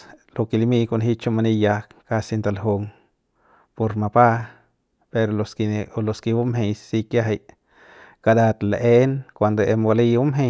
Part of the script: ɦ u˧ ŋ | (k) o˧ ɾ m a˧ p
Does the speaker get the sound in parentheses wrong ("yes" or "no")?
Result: yes